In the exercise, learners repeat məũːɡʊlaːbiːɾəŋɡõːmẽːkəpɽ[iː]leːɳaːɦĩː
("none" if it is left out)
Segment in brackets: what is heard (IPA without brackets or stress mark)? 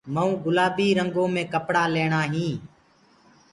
aː